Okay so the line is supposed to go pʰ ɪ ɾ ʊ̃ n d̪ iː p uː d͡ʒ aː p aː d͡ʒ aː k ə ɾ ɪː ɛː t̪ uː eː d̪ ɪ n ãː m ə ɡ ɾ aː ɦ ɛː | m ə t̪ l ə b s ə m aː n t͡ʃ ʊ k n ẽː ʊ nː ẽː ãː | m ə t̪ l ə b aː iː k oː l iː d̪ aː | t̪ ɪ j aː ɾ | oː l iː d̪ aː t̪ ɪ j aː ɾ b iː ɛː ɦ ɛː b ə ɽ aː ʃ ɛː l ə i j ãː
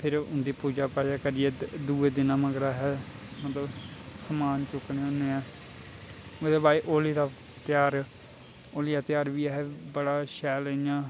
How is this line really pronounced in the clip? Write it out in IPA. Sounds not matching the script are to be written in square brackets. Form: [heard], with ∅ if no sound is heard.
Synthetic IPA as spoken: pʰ ɪ ɾ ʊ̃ n d̪ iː p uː d͡ʒ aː p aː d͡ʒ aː k ə ɾ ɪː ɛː [d̪] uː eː d̪ ɪ n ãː m ə ɡ ɾ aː ɦ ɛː | m ə t̪ l ə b s ə m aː n t͡ʃ ʊ k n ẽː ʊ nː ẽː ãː | m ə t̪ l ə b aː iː [ʔ] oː l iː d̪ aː | t̪ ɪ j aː ɾ | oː l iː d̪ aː t̪ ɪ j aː ɾ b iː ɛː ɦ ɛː b ə ɽ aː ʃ ɛː l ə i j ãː